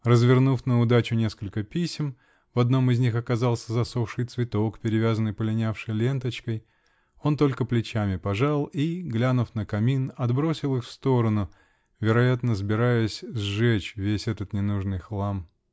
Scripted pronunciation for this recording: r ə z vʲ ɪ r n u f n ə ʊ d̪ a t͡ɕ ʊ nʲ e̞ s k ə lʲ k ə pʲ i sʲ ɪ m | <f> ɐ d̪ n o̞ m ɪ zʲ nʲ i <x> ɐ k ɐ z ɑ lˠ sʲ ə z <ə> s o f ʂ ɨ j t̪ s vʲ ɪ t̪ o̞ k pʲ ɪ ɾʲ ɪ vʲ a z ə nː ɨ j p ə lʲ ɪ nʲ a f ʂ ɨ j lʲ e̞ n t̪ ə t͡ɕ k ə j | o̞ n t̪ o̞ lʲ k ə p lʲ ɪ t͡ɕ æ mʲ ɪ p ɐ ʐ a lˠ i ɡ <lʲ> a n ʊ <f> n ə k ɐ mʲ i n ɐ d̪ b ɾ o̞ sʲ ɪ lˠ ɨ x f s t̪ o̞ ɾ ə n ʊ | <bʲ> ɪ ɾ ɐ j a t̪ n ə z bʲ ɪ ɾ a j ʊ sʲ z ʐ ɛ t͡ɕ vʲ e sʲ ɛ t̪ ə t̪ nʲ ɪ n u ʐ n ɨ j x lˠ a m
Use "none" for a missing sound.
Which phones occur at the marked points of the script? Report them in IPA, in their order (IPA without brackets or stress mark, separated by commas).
v, x, ɐ, lʲ, f, vʲ